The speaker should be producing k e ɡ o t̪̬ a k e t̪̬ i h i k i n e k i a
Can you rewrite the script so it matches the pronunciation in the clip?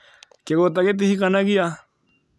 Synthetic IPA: k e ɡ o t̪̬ a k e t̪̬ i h i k a n a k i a